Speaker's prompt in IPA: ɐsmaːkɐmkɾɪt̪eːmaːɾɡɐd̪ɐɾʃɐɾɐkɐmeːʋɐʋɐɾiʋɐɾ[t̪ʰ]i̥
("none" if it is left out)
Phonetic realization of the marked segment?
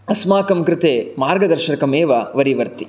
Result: t̪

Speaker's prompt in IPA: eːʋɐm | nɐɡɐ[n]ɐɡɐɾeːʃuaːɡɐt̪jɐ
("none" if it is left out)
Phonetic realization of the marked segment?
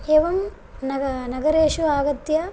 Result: n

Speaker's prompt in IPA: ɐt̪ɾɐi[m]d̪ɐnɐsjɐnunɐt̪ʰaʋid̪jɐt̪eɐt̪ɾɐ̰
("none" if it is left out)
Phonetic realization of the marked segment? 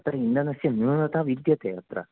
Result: n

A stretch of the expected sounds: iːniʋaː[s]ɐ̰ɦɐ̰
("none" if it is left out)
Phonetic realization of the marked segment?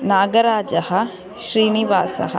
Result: s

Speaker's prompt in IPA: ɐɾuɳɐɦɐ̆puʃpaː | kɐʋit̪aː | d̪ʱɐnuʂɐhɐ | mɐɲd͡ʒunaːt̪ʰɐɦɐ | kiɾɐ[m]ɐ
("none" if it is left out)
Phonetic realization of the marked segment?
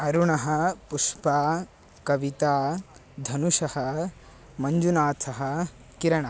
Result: ɳ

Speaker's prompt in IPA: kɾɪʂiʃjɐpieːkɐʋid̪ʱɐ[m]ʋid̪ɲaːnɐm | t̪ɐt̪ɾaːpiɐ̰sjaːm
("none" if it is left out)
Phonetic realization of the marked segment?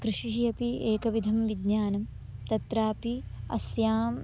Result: m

